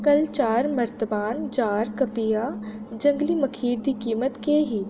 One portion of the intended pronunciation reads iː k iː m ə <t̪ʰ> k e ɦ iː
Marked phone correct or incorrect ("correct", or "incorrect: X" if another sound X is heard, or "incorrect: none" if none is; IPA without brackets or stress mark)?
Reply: incorrect: t̪